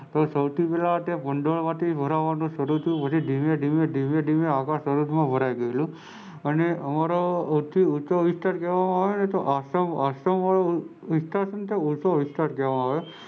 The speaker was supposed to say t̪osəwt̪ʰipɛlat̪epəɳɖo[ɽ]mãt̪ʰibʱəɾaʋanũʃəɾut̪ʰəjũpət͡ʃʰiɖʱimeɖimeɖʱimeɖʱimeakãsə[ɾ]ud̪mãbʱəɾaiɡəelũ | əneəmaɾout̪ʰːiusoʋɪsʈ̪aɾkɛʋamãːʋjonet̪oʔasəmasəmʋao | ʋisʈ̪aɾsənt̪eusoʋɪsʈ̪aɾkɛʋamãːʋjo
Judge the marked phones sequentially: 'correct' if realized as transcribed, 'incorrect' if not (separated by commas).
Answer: incorrect, correct